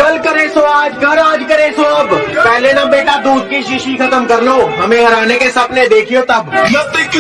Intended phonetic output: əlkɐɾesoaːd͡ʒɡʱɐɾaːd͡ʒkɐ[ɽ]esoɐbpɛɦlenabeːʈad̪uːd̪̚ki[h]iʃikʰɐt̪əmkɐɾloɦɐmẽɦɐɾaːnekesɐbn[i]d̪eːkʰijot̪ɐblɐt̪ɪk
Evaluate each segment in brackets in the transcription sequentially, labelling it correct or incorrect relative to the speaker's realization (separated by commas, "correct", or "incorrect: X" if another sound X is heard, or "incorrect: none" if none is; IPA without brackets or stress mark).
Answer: incorrect: ɾ, incorrect: ʃ, incorrect: e